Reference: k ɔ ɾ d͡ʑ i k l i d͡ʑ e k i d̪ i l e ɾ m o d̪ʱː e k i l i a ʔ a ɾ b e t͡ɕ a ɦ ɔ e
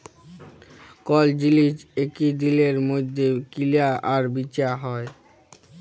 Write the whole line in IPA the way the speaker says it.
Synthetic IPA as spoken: k ɔ l d͡ʑ i l i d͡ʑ e k i d̪ i l e ɾ m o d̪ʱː e k i l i a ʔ a ɾ b i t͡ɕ a ɦ ɔ e